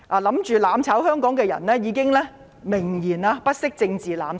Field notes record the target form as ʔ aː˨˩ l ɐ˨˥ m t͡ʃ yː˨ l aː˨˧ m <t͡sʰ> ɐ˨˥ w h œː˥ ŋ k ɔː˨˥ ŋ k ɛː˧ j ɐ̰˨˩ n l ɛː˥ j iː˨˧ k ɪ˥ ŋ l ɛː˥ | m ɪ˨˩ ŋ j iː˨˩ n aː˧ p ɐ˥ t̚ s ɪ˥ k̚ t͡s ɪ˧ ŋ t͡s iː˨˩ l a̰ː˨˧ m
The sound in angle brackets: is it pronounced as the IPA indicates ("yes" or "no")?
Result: yes